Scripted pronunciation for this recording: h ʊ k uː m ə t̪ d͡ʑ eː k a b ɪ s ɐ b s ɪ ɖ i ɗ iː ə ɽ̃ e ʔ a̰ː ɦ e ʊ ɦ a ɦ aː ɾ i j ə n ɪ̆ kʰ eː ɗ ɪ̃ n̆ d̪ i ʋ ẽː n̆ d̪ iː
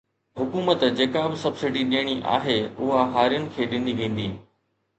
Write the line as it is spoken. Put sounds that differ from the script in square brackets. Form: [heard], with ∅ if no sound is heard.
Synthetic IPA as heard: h ʊ k uː m ə t̪ d͡ʑ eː k a b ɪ s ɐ b s ɪ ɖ i ɗ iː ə ɽ̃ [i] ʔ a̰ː ɦ e ʊ ɦ a ɦ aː ɾ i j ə n ɪ̆ kʰ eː ɗ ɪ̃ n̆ d̪ i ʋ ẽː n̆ d̪ iː